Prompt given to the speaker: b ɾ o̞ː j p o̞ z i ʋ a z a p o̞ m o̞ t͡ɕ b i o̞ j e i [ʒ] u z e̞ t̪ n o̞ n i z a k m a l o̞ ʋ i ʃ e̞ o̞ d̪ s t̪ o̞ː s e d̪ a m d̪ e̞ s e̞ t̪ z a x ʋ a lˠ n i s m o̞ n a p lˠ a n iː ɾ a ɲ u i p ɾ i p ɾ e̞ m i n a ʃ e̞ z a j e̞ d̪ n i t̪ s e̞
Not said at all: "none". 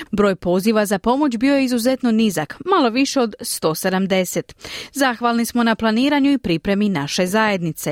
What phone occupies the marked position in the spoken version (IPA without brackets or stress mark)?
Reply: z